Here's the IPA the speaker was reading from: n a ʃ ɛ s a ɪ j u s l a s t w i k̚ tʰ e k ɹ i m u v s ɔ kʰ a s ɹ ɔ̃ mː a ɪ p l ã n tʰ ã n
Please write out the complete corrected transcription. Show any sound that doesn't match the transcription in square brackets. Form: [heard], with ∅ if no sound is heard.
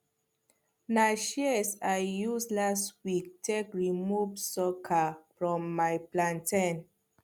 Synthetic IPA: n a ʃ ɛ s a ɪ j u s l a s t w i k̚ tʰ e k ɹ i m u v s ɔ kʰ a [f] ɹ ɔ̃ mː a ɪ p l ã n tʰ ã n